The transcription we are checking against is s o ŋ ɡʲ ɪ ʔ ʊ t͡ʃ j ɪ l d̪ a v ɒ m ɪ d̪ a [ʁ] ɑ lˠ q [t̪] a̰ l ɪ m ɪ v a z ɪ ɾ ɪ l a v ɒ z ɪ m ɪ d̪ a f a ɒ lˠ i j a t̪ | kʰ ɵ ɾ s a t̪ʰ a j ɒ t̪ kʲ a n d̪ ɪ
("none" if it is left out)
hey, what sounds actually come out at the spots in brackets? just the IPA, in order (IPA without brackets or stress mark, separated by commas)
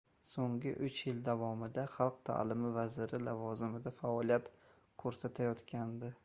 χ, t̪ʰ